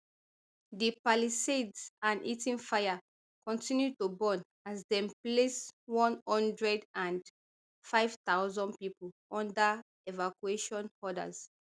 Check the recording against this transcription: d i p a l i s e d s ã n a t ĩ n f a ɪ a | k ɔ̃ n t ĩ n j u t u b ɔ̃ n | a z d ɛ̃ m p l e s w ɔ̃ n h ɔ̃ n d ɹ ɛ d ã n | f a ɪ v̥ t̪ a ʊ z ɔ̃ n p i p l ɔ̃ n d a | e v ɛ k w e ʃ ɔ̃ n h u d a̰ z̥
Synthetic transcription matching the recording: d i p a l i s e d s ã n i t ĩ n f a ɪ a | k ɔ̃ n t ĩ n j u t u b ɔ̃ n | a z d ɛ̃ m p l e s w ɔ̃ n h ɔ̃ n d ɹ ɛ d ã n | f a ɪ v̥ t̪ a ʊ z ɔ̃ n p i p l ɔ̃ n d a | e v a k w e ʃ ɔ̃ n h ɔ d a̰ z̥